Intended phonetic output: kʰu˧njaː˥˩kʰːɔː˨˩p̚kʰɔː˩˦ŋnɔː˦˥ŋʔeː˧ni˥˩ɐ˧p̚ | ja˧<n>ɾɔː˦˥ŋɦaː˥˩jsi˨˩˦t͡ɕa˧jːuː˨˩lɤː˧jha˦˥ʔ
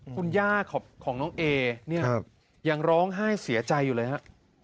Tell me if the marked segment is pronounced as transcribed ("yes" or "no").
no